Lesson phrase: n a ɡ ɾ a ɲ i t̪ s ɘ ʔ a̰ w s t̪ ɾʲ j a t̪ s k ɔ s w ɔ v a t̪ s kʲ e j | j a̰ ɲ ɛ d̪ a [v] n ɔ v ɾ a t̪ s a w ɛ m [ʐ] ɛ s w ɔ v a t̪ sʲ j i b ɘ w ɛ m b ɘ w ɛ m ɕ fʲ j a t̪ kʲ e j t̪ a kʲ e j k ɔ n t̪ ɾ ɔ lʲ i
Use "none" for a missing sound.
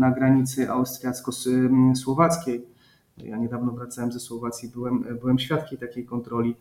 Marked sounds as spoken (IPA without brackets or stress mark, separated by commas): v, z